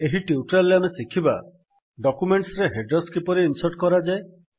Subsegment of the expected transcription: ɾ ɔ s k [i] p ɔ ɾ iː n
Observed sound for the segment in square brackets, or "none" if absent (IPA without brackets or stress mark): i